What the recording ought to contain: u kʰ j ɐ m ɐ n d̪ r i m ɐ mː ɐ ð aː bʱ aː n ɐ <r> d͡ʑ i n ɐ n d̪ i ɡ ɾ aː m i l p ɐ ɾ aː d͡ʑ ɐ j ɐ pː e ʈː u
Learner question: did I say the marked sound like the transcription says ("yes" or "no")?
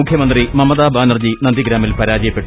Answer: yes